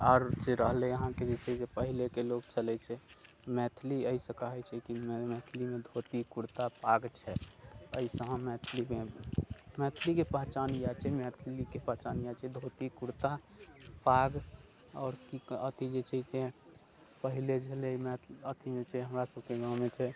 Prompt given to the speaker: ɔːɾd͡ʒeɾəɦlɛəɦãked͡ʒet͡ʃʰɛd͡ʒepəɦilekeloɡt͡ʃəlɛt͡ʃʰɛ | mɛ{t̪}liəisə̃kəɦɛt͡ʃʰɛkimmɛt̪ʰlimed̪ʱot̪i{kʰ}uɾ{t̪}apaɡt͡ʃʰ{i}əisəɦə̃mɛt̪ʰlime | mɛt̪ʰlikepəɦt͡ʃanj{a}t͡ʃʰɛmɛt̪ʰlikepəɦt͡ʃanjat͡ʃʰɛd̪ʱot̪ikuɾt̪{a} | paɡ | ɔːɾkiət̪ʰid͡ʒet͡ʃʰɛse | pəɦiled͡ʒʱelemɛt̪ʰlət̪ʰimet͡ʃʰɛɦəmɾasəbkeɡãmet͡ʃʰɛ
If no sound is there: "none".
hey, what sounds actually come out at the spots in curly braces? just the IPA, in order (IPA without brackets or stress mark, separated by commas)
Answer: t̪ʰ, k, t̪, ɛ, a, a